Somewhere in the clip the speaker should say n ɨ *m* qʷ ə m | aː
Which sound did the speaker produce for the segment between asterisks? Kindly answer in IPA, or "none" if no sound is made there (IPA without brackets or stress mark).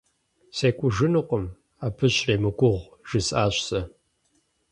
none